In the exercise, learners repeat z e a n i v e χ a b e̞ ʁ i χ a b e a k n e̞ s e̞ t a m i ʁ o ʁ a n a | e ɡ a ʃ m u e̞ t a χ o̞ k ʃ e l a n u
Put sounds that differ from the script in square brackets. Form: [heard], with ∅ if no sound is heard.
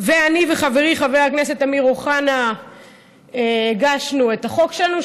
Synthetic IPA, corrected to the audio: [v] e a n i v e χ a [v] e̞ ʁ i χ a [v] e a k n e̞ s e̞ t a m i ʁ o [χ] a n a | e ɡ a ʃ [n] u e̞ t a χ o̞ k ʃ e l a n u